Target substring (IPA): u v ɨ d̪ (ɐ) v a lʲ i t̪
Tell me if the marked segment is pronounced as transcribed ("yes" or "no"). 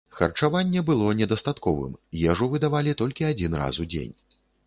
no